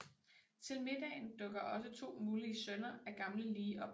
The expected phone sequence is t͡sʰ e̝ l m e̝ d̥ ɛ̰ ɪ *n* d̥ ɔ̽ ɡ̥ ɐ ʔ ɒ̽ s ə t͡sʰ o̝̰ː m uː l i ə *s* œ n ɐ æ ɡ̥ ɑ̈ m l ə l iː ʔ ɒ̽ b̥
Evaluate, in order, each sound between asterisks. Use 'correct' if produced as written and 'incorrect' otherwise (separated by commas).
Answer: correct, correct